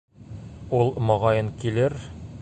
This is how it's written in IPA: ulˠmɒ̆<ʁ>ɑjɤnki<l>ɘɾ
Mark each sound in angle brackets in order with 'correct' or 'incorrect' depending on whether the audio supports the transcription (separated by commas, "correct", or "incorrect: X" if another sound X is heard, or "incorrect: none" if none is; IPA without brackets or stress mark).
correct, correct